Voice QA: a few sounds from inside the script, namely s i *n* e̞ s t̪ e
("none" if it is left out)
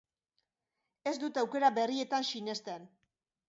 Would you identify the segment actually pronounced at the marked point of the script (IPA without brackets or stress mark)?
n